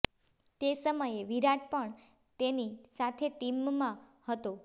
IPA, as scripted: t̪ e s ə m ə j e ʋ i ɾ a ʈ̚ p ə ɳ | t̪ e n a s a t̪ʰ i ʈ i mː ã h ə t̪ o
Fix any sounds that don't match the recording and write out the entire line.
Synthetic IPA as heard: t̪ e s ə m ə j e ʋ i ɾ a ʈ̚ p ə ɳ | t̪ e n i s a t̪ʰ e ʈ i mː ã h ə t̪ o